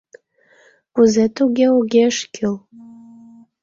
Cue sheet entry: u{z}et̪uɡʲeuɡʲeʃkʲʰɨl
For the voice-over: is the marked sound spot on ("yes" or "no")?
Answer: yes